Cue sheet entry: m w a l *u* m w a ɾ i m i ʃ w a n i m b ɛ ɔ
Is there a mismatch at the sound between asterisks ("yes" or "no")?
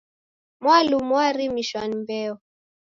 no